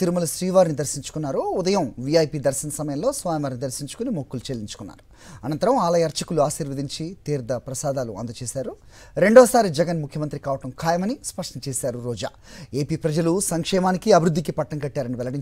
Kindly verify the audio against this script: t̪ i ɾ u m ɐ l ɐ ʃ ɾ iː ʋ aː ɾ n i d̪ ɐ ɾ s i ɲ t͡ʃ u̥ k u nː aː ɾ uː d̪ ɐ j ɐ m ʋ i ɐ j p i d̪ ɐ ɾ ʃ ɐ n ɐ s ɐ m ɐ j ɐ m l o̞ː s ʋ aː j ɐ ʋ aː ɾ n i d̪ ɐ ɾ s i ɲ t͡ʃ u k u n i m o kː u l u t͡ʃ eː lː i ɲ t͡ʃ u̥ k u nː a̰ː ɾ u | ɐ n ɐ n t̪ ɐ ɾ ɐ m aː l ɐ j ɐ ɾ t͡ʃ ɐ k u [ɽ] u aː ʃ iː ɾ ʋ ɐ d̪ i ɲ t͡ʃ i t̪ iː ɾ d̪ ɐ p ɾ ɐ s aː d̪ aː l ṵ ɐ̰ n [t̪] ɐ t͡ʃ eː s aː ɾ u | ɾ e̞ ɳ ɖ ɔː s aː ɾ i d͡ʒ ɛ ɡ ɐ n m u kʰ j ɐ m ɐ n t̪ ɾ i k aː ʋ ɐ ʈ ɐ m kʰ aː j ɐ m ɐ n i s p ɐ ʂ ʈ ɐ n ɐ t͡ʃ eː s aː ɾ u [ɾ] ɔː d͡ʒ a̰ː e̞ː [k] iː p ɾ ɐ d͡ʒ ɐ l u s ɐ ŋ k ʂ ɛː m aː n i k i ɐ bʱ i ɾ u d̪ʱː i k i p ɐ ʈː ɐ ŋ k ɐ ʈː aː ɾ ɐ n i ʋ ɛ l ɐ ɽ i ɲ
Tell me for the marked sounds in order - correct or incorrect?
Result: incorrect: l, incorrect: d̪, correct, incorrect: p

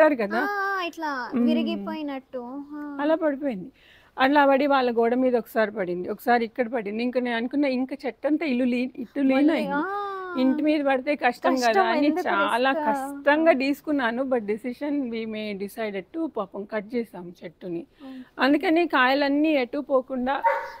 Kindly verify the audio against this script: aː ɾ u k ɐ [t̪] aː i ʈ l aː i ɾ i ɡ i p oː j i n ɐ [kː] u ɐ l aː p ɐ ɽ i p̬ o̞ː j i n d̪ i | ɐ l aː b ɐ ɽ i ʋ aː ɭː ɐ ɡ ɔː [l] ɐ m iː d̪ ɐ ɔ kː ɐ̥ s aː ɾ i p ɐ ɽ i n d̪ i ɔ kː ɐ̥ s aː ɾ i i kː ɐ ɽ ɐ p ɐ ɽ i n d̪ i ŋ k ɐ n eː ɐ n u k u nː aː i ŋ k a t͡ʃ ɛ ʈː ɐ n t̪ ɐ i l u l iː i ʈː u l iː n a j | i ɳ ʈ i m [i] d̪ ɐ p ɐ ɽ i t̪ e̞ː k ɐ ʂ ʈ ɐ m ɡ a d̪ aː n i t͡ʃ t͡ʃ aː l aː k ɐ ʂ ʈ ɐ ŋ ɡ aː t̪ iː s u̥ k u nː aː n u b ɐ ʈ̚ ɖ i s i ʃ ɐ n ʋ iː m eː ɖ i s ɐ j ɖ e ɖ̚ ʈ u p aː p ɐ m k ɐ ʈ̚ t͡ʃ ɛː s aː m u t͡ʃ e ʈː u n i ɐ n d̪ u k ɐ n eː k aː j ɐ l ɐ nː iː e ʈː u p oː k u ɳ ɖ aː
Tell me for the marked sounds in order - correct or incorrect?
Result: incorrect: d̪, incorrect: ʈː, incorrect: ɽ, incorrect: iː

